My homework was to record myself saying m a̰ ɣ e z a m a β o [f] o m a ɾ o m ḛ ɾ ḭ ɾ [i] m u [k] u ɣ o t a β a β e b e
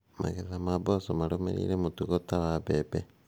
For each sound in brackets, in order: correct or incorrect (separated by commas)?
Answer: incorrect, incorrect, incorrect